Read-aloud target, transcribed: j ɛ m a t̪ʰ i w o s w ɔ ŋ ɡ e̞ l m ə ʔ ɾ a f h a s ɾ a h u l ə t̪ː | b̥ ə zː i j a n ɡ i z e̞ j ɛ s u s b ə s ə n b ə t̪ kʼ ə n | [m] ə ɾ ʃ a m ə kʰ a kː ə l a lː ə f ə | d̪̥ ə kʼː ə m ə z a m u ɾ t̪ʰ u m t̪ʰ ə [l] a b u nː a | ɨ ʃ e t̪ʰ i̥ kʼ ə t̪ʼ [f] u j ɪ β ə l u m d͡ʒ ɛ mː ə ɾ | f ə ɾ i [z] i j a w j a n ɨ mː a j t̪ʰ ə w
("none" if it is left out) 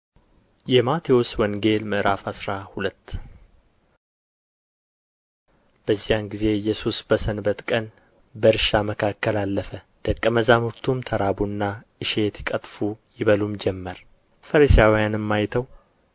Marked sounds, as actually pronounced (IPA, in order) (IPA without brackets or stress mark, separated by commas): b, ɾ, f, s